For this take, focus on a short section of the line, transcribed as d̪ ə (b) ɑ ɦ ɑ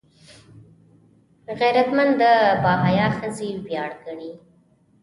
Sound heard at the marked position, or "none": b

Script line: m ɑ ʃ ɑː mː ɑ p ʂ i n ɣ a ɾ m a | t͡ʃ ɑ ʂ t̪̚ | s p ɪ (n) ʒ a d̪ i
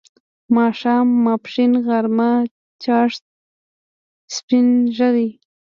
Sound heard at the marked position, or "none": n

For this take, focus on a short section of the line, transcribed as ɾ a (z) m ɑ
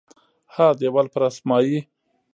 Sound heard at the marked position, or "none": s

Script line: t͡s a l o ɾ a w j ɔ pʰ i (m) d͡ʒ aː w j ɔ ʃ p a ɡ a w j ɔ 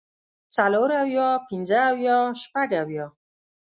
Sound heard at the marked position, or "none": n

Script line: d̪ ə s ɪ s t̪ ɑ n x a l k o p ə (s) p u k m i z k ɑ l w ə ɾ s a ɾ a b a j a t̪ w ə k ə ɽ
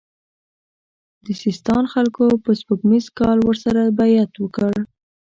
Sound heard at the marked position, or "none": s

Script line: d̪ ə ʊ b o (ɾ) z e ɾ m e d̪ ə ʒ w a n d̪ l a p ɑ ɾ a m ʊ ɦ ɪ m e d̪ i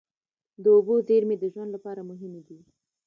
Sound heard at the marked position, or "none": none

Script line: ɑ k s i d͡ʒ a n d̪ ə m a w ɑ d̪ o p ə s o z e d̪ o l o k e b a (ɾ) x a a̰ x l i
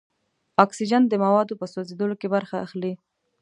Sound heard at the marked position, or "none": ɾ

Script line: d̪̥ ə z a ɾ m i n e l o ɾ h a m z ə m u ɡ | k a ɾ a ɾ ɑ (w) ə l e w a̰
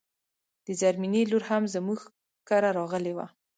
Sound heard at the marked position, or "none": ɣ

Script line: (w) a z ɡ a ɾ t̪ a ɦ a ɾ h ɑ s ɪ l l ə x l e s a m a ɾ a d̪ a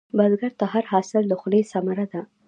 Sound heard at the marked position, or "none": b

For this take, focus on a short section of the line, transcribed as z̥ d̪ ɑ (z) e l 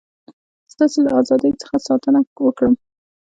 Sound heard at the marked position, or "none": s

